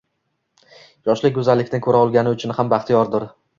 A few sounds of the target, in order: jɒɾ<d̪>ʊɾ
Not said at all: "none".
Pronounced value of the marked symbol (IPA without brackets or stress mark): d̪